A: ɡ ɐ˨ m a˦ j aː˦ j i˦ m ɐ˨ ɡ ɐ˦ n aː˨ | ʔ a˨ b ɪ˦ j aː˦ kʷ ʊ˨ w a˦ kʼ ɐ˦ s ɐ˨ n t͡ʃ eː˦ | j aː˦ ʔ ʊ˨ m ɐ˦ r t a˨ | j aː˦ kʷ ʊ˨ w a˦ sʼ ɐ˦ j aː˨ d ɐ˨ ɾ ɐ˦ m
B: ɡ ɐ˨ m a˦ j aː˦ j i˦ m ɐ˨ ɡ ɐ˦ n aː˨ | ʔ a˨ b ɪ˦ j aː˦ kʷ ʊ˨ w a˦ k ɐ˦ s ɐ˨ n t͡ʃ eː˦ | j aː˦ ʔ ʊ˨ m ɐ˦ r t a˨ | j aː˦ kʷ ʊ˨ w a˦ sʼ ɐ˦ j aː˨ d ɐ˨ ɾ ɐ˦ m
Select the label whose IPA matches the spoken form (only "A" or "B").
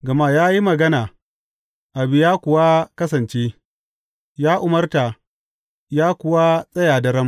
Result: B